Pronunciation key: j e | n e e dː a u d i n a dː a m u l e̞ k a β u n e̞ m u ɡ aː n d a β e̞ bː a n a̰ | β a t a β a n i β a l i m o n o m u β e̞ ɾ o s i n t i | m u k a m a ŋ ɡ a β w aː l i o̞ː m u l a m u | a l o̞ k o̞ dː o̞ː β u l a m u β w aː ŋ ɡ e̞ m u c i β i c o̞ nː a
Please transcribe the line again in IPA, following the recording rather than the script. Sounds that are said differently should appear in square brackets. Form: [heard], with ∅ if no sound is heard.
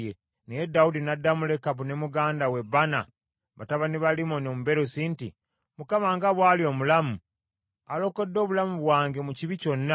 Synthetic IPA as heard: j e | n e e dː a u d i n a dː a m u l e̞ k a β u n e̞ m u ɡ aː n d a [w] e̞ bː a n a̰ | β a t a β a n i β a l i m o n o m u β e̞ ɾ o s i n t i | m u k a m a ŋ ɡ a β w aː l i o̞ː m u l a m u | a l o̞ k o̞ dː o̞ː β u l a m u β w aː ŋ ɡ e̞ m u c i β i c o̞ nː a